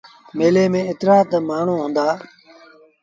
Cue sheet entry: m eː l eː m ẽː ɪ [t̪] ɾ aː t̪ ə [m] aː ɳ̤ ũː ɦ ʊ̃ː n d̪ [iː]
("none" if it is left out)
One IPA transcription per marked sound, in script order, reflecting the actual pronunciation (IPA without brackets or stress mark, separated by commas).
t̪, m, aː